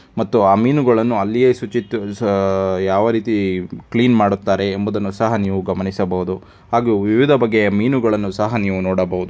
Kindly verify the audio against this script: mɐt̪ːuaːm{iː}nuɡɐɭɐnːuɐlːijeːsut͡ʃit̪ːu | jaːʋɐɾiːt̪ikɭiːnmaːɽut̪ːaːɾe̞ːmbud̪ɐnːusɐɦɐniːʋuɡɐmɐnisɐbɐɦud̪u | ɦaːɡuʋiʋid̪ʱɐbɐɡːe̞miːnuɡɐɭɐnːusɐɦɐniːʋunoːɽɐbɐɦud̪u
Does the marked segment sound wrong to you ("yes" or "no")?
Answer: no